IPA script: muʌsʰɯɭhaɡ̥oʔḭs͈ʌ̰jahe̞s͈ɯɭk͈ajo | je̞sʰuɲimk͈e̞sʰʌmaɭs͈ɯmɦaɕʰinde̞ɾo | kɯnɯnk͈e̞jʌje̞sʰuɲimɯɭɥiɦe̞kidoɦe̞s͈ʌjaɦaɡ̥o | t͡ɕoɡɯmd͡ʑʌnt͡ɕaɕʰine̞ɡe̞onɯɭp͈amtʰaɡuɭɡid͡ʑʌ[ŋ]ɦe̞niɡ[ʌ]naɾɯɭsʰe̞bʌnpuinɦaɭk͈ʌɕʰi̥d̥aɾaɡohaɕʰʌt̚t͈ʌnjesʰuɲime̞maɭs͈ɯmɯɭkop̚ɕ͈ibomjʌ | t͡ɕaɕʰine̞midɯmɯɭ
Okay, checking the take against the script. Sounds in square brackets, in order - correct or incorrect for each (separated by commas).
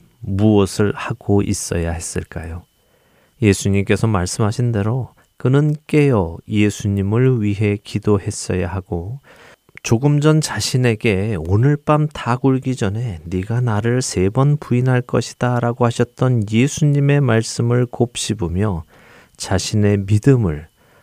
incorrect, incorrect